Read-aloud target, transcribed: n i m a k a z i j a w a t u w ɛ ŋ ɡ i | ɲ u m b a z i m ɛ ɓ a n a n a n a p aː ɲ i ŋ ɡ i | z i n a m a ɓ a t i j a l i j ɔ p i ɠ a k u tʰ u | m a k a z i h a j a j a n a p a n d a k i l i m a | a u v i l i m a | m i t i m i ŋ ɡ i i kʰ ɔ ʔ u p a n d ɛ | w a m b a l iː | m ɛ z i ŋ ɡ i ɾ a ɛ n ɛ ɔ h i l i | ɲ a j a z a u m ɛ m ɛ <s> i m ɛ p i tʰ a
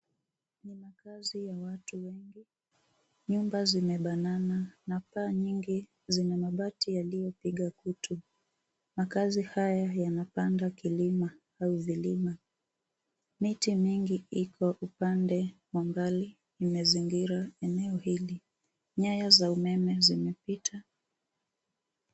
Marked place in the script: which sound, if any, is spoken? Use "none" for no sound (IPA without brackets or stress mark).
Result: z